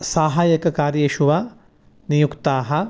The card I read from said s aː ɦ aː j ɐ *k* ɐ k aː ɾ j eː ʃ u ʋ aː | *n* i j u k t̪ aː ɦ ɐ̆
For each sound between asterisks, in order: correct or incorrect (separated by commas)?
correct, correct